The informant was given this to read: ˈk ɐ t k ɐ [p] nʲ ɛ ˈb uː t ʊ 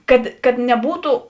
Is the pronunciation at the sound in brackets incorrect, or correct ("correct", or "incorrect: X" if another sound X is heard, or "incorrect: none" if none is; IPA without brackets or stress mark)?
incorrect: t